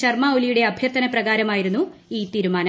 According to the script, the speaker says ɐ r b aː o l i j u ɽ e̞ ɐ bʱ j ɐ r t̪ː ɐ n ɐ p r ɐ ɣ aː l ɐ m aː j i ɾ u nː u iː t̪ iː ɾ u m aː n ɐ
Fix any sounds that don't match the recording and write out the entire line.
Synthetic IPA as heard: ɐ r m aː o l i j u ɽ e̞ ɐ bʱ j ɐ r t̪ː ɐ n ɐ p r ɐ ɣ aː ɾ ɐ m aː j i ɾ u nː u iː t̪ iː ɾ u m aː n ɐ